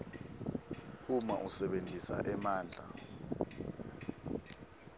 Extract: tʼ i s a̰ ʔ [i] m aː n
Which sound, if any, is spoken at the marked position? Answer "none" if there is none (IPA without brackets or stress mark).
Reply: ɛ